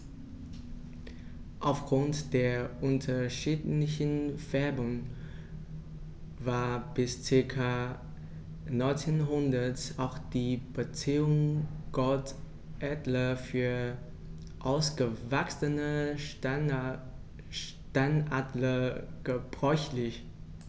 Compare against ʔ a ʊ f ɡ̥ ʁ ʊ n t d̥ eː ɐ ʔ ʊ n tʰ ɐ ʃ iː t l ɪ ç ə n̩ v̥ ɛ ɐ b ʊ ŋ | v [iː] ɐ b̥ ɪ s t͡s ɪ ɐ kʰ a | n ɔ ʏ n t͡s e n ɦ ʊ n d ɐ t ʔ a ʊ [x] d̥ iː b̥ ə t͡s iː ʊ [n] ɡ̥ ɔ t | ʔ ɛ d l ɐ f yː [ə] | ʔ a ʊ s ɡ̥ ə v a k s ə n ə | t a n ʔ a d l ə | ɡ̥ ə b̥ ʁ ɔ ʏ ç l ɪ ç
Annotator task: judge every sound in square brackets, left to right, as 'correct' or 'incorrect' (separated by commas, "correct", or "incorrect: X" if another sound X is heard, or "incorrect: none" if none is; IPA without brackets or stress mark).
incorrect: aː, correct, incorrect: ŋ, incorrect: ɐ